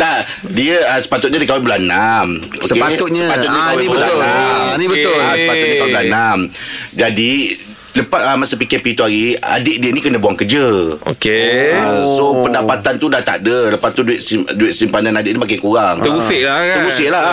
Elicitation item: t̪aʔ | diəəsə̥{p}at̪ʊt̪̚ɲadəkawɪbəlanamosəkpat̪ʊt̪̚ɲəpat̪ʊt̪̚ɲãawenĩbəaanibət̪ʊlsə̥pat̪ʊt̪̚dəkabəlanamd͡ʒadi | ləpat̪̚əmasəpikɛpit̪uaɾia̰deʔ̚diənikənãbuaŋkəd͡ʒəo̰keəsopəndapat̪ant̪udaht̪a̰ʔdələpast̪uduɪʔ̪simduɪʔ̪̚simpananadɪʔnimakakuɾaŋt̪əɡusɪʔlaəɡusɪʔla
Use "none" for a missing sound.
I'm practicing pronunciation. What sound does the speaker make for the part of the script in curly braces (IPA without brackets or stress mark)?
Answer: p